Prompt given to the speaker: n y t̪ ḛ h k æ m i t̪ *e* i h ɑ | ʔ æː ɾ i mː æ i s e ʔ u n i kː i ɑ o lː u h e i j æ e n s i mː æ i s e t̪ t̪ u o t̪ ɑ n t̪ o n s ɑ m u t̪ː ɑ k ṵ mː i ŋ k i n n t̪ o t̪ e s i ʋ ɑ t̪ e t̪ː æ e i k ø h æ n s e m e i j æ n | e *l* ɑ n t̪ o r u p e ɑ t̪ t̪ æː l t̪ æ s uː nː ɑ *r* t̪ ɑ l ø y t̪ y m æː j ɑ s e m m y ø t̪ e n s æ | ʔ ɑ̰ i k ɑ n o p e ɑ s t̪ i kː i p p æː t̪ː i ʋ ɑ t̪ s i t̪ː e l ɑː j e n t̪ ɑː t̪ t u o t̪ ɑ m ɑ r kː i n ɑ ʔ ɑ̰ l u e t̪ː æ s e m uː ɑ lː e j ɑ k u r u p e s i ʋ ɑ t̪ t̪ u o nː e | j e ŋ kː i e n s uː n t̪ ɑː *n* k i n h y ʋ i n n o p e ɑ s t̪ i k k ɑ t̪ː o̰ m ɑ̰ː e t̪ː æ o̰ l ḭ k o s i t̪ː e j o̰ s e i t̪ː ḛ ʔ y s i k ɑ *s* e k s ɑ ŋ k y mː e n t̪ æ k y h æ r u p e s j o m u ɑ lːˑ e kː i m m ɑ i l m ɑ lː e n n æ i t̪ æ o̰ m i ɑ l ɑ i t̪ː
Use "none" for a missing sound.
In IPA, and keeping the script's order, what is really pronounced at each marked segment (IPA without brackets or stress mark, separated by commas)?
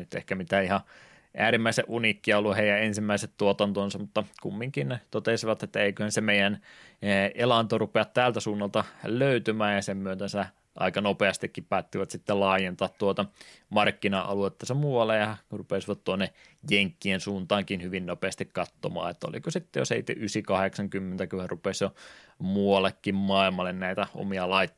æ, l, l, ŋ, h